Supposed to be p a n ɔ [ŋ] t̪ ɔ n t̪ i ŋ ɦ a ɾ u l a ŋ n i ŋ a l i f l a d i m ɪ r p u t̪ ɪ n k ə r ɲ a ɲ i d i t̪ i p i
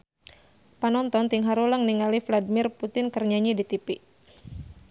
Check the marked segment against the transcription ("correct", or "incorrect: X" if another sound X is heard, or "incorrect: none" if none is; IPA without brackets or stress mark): incorrect: n